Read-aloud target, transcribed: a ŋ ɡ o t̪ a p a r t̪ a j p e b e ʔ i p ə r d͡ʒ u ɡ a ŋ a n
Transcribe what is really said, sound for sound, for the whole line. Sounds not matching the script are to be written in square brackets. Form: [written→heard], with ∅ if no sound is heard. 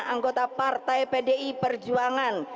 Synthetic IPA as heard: a ŋ ɡ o t̪ a p a r t̪ a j p e [b→d] e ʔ i p ə r d͡ʒ u [ɡ→∅] a ŋ a n

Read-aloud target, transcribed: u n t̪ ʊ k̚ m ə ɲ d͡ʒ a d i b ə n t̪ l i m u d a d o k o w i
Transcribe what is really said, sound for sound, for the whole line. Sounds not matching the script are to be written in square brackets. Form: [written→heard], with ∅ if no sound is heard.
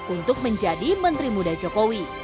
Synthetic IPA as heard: u n t̪ ʊ k̚ m ə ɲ d͡ʒ a d i [b→m] ə n t̪ [l→ɾ] i m u d a [d→d͡ʒ] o k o w i

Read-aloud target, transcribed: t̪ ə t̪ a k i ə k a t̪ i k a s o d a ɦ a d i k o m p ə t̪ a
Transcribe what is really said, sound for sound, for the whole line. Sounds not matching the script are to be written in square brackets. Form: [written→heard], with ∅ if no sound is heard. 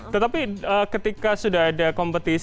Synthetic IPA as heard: t̪ ə t̪ a [k→p] i ə k [a→ə] t̪ i k a s [o→u] d a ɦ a d [i→a] k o m p ə t̪ [a→i]

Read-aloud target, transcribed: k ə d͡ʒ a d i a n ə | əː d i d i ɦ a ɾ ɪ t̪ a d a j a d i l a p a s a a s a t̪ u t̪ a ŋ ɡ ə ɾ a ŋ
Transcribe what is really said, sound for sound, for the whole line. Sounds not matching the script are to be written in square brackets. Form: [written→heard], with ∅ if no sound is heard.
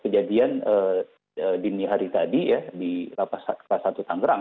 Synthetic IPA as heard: k ə d͡ʒ a d i a n ə | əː d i [d→n] i ɦ a ɾ [ɪ→i] t̪ a d [a→i] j a d i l a p a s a a s a t̪ u t̪ a ŋ ɡ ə ɾ a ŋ

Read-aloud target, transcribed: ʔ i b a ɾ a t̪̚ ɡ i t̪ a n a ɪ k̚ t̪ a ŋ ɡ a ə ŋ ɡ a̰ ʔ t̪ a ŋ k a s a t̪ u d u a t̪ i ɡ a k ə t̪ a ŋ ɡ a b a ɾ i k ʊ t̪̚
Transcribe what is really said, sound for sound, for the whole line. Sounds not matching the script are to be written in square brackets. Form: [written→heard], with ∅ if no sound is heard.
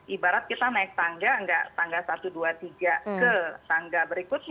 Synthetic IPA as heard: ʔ i b a ɾ a t̪̚ [ɡ→k] i t̪ a n a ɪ k̚ t̪ a ŋ ɡ a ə ŋ ɡ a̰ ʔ t̪ a ŋ [k→ɡ] a s a t̪ u d u a t̪ i ɡ a k ə t̪ a ŋ ɡ a b [a→ə] ɾ i k ʊ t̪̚

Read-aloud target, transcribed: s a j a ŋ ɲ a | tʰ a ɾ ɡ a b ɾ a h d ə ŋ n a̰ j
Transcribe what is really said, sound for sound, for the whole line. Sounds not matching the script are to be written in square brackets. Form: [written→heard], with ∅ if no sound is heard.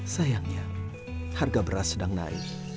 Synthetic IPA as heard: s a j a ŋ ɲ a | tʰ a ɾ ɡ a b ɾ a [h→s] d [ə→a] ŋ n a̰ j

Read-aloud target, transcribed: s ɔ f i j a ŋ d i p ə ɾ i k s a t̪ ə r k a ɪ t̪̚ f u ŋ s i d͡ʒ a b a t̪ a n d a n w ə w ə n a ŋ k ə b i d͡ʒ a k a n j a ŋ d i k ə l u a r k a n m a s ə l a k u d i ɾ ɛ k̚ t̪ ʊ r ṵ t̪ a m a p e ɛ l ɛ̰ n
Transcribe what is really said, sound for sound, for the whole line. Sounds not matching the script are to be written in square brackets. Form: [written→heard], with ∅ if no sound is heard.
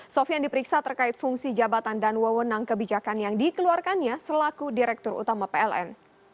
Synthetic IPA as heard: s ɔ f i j a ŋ d i p ə ɾ i k s a t̪ ə r k a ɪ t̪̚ f u ŋ s i d͡ʒ a b a t̪ a n d a n w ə w ə n a ŋ k ə b i d͡ʒ a k a n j a ŋ d i k ə l u a r k a n [m→ɲ] a s ə l a k u d i ɾ ɛ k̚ t̪ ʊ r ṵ t̪ a m a p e ɛ l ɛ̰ n

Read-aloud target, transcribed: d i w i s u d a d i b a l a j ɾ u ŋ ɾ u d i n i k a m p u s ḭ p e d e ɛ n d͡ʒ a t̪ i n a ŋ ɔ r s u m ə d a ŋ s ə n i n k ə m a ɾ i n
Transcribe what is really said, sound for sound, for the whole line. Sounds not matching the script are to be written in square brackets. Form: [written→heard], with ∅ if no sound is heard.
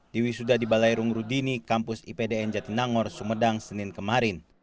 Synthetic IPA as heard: d i w i s u d a d i b a l a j ɾ u ŋ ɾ u d i n i k a m p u s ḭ p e d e ɛ n d͡ʒ a t̪ i n a ŋ ɔ r s u m ə d a ŋ s ə n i n k ə m a ɾ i n

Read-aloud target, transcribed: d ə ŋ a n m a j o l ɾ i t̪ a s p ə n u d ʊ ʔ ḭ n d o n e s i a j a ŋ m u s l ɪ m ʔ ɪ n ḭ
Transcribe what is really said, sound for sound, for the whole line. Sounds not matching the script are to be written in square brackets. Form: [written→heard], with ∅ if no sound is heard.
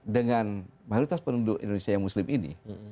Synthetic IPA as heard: d ə ŋ a n m a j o [l→∅] ɾ i t̪ a s p ə n u d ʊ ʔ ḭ n d o n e s i a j a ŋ m u s l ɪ m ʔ [ɪ→i] n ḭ

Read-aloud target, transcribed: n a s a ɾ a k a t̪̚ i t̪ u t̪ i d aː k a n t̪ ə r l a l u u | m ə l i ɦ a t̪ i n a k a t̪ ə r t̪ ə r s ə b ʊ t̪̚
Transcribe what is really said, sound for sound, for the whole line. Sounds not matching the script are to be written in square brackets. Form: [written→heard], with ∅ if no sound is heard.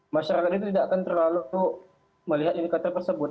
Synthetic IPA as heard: [n→m] a [s→ʃ] a ɾ a k a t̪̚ i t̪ u t̪ i d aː k a n t̪ ə r l a l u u | m ə l i ɦ a t̪ i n [a→i] k a t̪ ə r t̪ ə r s ə b ʊ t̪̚

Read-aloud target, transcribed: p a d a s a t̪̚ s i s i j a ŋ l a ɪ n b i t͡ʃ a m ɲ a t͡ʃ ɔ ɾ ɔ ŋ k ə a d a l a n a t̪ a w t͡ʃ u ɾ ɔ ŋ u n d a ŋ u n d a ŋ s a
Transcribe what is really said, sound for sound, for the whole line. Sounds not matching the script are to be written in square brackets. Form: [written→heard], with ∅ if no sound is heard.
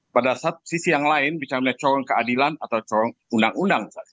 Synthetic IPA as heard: p a d a s a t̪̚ s i s i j a ŋ l a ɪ n b i t͡ʃ a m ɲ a t͡ʃ ɔ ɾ ɔ ŋ k ə a d [a→i] l a n a t̪ a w t͡ʃ [u→ɔ] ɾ ɔ ŋ u n d a ŋ u n d a ŋ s a

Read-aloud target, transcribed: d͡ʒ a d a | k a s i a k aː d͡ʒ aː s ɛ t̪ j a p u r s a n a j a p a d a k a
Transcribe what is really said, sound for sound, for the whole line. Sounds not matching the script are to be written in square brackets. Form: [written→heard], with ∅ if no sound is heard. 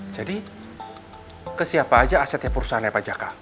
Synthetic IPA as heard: d͡ʒ a d [a→i] | k [a→ə] s i a [k→p] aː d͡ʒ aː s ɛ t̪ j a p u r s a n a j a p a [d→d͡ʒ] a k a

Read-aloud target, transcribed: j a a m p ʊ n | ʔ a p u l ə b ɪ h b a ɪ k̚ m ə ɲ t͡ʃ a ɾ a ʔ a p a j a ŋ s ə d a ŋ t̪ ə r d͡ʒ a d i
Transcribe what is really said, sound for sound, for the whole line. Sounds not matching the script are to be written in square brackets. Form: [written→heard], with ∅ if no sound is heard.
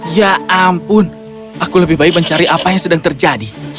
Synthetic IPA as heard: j a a m p ʊ n | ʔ a [p→k] u l ə b ɪ h b a ɪ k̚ m ə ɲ t͡ʃ a ɾ [a→i] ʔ a p a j a ŋ s ə d a ŋ t̪ ə r d͡ʒ a d i

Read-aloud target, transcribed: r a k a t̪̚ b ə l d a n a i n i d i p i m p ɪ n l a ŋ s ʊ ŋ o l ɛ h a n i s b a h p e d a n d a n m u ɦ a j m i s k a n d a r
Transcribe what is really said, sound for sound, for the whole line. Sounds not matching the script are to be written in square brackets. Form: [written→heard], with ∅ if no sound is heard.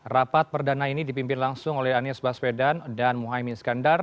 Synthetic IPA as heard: r a [k→p] a t̪̚ [b→p] ə [l→r] d a n a i n i d i p i m p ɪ n l a ŋ s ʊ ŋ o l ɛ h a n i s b a [h→s] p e d a n d a n m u ɦ a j m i s k a n d a r

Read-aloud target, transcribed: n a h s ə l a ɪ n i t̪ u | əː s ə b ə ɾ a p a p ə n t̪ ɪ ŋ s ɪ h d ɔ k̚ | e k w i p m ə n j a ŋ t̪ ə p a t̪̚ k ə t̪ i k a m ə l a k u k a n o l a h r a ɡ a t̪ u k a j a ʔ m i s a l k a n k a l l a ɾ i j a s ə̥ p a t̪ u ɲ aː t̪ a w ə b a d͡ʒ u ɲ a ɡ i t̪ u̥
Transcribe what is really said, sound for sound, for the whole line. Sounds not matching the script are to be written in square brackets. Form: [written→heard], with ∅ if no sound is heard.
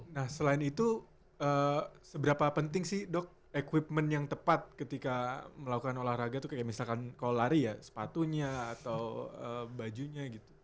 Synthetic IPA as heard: n a h s ə l a ɪ n i t̪ u | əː s ə b ə ɾ a p a p ə n t̪ ɪ ŋ s ɪ h d ɔ k̚ | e k w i p m ə n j a ŋ t̪ ə p a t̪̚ k ə t̪ i k a m ə l a k u k a n o l a h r a ɡ a t̪ u k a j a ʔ m i s a l k a n k a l l a ɾ i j a s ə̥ p a t̪ u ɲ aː t̪ a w ə b a d͡ʒ u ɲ a ɡ i t̪ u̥

